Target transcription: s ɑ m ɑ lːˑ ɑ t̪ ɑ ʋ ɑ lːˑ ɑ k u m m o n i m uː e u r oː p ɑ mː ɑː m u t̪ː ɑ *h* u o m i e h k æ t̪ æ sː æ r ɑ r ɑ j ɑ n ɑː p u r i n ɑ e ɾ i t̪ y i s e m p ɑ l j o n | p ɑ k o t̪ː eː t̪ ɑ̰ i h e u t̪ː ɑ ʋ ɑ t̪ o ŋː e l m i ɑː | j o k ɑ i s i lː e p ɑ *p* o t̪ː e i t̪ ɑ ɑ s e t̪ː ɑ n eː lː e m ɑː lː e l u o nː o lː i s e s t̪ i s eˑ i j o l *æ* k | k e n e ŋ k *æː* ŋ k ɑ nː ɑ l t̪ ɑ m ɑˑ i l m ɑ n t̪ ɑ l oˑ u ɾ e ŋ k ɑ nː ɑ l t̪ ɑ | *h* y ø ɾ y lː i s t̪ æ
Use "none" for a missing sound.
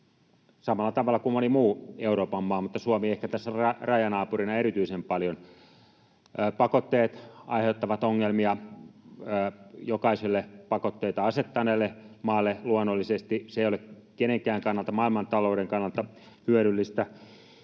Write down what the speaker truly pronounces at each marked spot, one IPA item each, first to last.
s, k, e, æː, h

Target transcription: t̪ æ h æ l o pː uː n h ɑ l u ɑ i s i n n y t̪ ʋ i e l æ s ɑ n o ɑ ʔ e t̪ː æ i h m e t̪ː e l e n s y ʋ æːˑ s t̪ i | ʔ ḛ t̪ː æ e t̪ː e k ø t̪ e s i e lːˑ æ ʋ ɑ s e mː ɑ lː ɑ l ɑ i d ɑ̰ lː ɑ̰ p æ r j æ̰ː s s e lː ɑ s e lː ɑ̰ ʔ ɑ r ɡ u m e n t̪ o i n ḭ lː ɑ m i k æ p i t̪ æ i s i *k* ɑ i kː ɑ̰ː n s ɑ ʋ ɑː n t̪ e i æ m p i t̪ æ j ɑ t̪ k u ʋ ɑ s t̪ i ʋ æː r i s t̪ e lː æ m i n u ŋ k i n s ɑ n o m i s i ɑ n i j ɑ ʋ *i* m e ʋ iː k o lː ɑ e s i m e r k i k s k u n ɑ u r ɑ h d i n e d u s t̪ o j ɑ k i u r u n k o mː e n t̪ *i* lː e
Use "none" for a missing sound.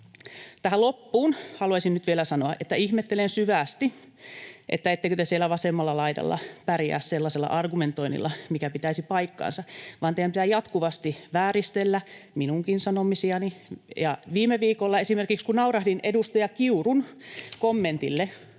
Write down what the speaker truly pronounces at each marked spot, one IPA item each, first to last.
p, iː, i

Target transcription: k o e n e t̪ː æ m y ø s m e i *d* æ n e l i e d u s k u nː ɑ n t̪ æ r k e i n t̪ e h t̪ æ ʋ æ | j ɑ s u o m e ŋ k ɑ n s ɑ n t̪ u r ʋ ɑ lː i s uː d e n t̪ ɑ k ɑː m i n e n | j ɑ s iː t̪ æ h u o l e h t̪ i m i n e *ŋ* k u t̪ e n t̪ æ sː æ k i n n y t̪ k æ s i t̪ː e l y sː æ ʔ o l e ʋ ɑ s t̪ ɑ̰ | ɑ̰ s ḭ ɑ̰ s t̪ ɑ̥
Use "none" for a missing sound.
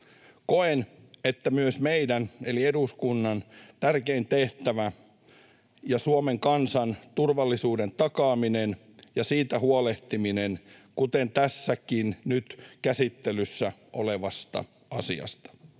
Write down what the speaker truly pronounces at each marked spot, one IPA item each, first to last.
d, n

